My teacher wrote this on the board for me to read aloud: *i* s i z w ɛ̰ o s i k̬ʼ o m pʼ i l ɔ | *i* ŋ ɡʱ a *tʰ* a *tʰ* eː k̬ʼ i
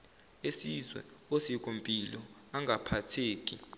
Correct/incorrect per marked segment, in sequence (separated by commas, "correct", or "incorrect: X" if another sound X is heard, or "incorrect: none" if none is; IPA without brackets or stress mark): incorrect: e, incorrect: a, incorrect: pʰ, correct